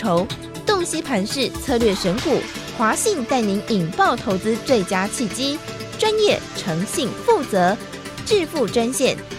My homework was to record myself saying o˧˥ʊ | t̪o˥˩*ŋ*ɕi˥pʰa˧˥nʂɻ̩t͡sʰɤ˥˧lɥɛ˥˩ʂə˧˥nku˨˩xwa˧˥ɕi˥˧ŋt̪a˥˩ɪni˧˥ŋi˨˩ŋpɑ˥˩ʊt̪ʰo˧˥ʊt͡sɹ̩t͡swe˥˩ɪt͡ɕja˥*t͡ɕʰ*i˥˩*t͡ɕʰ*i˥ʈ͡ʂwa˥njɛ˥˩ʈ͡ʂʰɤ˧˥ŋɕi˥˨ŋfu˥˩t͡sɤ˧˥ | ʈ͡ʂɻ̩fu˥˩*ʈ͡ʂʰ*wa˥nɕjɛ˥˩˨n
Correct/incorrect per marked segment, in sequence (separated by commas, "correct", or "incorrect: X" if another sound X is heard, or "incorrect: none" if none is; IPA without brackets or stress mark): correct, correct, incorrect: t͡ɕ, incorrect: ʈ͡ʂ